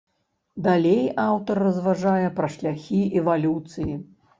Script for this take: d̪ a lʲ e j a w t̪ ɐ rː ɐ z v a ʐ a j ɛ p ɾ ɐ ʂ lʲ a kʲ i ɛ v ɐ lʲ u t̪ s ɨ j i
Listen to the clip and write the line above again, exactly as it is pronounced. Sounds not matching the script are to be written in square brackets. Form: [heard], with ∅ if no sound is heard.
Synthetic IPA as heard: d̪ a lʲ e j a w t̪ ɐ rː ɐ z v a ʐ a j ɛ p ɾ ɐ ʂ lʲ a [xʲ] i ɛ v [a] lʲ u t̪ s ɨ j i